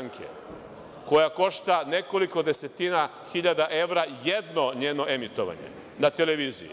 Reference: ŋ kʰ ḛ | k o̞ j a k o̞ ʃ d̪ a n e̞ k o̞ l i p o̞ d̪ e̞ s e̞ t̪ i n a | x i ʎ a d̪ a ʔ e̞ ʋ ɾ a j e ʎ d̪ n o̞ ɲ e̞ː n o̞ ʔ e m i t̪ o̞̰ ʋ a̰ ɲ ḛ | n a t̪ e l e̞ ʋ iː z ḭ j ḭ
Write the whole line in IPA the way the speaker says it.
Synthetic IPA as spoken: ŋ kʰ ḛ | k o̞ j a k o̞ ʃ t̪ a n e̞ k o̞ l i k o̞ d̪ e̞ s e̞ t̪ i n a | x i ʎ a d̪ a ʔ e̞ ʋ ɾ a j e d̪ n o̞ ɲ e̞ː n o̞ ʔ e m i t̪ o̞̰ ʋ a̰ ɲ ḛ | n a t̪ e l e̞ ʋ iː z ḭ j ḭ